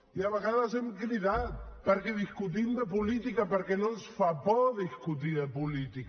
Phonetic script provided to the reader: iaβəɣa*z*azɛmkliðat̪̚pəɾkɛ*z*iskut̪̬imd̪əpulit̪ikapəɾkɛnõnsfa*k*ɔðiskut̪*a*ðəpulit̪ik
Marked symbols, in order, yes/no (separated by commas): no, no, no, no